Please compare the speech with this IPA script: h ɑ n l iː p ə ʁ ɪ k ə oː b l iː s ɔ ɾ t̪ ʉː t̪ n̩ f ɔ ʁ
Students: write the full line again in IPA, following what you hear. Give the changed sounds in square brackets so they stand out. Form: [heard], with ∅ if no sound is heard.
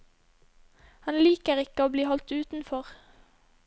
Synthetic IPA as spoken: h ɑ n l iː [k] ə ʁ ɪ k ə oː b l iː [h] ɔ [l] t̪ ʉː t̪ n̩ f ɔ ʁ